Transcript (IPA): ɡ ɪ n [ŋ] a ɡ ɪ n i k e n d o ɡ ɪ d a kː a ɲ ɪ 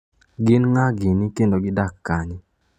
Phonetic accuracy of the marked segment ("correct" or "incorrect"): correct